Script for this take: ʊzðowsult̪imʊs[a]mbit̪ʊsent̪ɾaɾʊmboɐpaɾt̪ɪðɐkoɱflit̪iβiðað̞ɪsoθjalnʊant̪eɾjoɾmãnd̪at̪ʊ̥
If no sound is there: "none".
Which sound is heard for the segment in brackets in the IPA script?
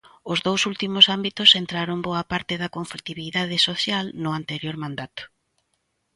a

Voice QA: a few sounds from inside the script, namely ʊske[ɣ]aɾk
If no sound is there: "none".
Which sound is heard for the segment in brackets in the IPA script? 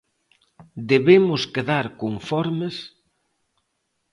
ð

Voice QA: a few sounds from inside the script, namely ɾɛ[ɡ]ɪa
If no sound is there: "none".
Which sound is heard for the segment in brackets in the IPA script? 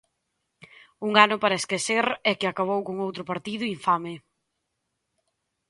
k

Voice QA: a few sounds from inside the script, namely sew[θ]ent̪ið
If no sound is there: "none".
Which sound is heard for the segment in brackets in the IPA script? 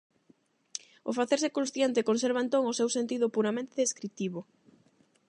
s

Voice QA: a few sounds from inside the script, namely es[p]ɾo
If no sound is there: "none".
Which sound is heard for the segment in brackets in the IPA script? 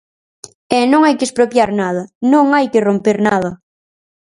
p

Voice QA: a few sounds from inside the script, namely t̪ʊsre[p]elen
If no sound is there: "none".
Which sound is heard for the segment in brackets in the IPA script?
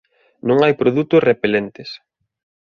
p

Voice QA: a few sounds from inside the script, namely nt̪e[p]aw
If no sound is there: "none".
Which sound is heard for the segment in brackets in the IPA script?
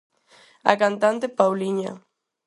p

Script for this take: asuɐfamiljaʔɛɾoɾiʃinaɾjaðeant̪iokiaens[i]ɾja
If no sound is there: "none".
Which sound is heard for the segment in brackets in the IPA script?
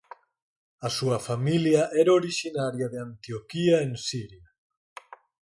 i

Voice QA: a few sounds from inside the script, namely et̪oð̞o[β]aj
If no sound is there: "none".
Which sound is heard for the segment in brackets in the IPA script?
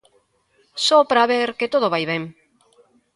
β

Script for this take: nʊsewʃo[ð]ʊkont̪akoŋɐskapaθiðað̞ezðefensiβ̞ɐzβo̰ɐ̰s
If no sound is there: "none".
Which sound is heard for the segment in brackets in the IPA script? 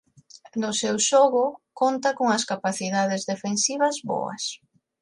ɣ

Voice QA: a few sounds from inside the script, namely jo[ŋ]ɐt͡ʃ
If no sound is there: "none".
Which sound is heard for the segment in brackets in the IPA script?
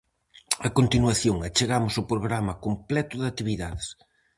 ŋ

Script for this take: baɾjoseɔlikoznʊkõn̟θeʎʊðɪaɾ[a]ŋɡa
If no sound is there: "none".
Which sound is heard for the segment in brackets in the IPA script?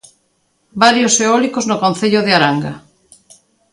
a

